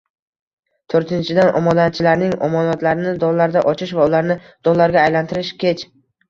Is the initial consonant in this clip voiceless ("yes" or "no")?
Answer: yes